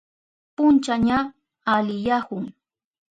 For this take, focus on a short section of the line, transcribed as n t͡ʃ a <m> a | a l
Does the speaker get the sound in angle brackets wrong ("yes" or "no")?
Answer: yes